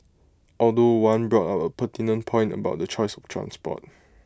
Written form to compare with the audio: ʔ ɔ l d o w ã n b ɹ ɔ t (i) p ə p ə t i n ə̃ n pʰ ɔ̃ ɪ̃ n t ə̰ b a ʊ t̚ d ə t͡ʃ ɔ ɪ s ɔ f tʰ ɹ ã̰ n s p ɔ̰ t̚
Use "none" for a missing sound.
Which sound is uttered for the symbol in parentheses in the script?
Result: a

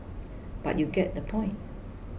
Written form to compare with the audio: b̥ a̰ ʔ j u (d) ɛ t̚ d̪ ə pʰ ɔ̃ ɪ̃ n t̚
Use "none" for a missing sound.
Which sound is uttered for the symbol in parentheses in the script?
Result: ɡ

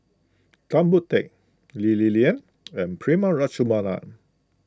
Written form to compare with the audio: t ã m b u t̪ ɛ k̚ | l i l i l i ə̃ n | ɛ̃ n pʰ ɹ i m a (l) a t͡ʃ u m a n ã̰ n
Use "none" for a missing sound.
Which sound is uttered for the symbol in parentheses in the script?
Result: ɹ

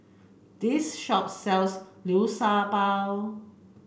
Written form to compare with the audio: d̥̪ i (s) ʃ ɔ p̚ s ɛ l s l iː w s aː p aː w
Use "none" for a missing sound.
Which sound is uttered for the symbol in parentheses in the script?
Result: s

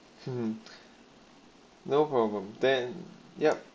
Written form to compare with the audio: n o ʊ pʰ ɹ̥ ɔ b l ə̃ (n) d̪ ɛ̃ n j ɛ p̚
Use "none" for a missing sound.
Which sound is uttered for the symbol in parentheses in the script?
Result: m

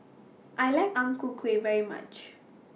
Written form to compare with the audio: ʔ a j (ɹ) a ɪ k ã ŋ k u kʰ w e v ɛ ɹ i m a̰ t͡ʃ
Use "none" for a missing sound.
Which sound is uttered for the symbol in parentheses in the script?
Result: l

